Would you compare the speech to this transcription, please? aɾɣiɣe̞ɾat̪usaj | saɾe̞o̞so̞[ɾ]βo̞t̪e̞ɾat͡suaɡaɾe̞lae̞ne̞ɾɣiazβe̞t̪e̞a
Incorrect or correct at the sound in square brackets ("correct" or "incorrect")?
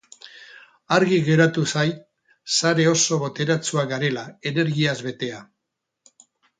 incorrect